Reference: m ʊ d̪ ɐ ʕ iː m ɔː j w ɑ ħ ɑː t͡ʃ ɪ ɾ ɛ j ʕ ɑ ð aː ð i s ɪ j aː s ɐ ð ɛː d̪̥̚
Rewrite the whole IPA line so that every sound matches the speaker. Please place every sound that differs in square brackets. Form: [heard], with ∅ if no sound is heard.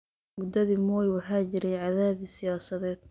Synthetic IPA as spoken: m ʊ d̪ ɐ [ð] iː m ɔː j w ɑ ħ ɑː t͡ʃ ɪ ɾ ɛ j ʕ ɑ ð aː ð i s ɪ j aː s ɐ ð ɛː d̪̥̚